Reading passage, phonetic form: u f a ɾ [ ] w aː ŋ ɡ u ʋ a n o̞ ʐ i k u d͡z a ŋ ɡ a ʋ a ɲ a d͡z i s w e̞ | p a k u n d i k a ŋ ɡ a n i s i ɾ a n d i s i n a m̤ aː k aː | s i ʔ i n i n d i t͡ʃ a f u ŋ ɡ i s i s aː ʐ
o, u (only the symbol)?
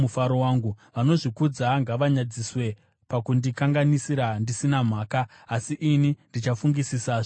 o